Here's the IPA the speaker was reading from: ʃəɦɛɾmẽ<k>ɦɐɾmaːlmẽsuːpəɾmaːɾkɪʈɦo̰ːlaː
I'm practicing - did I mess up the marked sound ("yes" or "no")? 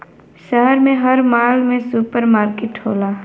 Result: yes